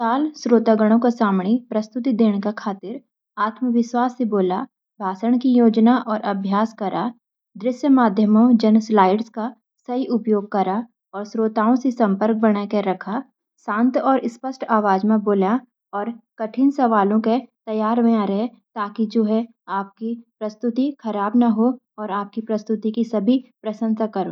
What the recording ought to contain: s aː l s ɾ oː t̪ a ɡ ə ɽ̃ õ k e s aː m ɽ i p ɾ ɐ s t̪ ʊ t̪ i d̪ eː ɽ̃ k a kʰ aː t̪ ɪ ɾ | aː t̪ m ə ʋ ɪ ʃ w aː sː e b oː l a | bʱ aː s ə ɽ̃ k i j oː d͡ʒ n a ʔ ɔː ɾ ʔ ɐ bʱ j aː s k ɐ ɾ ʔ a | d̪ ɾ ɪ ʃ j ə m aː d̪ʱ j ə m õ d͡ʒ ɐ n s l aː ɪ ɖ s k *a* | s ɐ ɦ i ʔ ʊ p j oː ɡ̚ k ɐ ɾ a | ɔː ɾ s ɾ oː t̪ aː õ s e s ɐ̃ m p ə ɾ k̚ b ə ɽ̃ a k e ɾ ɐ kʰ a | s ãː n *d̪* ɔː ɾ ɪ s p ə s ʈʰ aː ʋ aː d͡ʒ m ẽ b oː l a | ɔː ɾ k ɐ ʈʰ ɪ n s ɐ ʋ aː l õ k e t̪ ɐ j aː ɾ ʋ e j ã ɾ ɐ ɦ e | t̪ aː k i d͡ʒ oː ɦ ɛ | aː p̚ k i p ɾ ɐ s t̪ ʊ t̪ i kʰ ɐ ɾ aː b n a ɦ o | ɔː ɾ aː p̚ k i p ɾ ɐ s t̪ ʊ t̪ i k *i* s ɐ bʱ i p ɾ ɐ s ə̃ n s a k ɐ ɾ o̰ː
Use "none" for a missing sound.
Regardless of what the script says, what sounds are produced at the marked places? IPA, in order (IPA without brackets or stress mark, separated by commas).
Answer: a, t̪, i